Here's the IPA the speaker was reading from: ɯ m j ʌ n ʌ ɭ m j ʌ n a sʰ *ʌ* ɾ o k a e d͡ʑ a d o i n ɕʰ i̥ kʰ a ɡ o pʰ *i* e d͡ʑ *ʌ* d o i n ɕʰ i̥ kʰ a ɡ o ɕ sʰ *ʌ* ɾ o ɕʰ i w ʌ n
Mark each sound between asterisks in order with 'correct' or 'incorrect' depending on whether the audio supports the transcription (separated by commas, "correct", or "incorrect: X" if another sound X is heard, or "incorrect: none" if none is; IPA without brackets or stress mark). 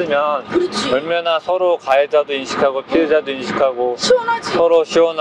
correct, correct, incorrect: a, correct